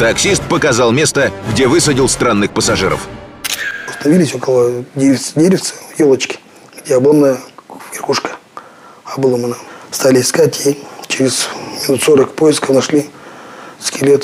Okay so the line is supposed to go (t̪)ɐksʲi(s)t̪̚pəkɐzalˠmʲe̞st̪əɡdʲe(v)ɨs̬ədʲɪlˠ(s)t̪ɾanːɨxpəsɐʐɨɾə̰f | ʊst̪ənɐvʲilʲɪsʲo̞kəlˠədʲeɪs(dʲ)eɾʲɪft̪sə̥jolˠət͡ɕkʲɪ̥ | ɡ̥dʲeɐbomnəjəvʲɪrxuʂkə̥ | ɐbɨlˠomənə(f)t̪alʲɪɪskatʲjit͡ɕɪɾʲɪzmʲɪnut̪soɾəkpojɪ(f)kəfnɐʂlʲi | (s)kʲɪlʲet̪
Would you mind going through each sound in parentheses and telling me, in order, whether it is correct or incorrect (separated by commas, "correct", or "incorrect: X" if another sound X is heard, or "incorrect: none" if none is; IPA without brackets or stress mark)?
correct, correct, correct, correct, correct, incorrect: s, incorrect: s, correct